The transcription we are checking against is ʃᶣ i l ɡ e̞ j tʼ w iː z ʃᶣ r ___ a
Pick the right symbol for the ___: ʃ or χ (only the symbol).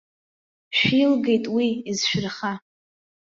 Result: χ